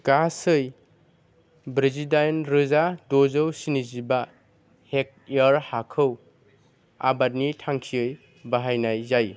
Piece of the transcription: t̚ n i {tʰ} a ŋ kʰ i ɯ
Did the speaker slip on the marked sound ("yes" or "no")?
no